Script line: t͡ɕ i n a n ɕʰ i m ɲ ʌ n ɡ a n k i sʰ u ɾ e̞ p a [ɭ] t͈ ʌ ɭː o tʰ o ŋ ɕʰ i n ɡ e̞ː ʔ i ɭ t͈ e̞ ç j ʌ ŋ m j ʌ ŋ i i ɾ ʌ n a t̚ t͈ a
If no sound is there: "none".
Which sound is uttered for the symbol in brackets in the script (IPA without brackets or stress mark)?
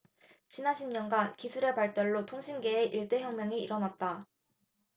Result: ɭ